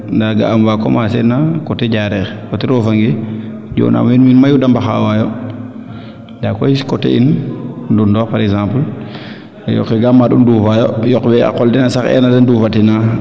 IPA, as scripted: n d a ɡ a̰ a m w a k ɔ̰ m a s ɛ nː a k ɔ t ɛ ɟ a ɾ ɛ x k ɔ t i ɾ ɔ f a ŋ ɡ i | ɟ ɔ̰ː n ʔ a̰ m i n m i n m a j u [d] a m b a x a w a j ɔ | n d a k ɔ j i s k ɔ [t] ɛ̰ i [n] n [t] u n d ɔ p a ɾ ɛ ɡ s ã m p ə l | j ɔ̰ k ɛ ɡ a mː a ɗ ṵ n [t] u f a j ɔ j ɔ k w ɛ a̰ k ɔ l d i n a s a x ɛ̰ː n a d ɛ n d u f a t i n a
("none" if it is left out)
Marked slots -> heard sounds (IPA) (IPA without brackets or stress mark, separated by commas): d, t, n, d, d